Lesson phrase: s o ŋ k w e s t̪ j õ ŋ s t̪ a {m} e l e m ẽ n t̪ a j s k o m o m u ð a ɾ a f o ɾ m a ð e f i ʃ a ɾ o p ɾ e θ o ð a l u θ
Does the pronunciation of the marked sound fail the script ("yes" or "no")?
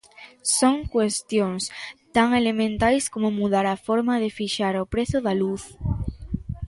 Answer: yes